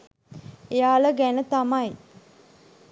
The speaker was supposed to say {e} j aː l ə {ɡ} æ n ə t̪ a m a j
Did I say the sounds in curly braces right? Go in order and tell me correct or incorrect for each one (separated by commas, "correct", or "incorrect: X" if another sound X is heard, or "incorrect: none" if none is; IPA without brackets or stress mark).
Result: correct, correct